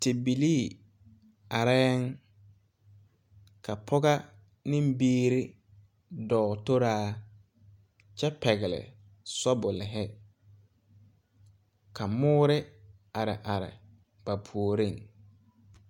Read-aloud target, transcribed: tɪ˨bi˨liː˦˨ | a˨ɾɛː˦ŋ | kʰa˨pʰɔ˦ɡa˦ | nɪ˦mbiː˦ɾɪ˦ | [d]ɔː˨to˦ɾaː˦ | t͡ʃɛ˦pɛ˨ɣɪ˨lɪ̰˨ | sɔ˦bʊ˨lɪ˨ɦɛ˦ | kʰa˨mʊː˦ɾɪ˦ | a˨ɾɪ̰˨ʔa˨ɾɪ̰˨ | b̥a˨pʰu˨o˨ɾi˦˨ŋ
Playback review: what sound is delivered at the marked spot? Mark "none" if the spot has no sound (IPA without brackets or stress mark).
d